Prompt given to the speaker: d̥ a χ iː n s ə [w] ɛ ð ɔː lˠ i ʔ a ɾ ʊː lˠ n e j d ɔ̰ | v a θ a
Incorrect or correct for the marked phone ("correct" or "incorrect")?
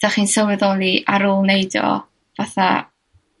correct